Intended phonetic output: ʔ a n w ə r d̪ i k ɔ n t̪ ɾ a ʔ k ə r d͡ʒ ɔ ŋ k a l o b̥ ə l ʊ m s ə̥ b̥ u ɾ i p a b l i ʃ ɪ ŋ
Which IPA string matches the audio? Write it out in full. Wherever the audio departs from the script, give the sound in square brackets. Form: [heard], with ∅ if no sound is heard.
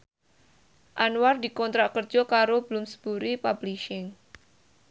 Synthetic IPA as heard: ʔ a n w [a] r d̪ i k ɔ n t̪ ɾ a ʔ k ə r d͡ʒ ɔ [∅] k a [ɾ] o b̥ ə l ʊ m s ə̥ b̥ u ɾ i p a b l i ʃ ɪ ŋ